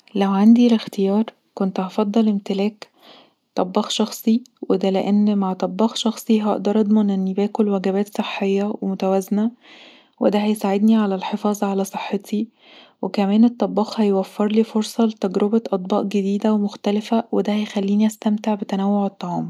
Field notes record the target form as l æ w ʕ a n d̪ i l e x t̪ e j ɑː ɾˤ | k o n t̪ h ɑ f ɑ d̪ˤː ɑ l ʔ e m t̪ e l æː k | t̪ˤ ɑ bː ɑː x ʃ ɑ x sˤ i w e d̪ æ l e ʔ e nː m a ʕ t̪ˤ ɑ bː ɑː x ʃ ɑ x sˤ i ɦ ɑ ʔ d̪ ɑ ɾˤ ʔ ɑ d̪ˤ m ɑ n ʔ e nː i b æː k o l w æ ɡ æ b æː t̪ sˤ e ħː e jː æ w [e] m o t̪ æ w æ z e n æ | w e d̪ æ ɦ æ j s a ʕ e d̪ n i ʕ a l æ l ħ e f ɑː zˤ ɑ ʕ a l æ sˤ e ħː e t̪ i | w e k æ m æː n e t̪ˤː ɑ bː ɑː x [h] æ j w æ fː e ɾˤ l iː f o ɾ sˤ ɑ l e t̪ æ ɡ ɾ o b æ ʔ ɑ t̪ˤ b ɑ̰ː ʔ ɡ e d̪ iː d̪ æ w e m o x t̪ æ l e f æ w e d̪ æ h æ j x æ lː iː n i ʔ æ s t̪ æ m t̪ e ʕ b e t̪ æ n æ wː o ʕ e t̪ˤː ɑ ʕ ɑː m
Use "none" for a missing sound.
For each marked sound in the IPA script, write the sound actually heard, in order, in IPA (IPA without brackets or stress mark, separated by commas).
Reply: e, h